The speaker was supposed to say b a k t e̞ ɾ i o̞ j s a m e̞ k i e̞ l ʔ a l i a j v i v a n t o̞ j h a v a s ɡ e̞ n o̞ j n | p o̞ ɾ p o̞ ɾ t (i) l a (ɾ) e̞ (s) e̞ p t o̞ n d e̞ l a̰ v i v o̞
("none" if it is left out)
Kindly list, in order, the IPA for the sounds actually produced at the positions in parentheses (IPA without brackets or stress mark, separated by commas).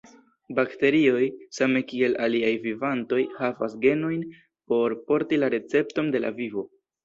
i, ɾ, t͡s